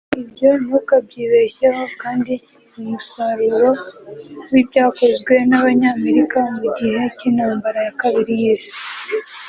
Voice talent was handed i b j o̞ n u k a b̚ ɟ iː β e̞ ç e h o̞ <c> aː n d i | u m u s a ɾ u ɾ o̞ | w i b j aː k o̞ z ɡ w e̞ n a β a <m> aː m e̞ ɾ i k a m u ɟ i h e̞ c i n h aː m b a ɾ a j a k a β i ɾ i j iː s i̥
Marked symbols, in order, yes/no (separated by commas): no, no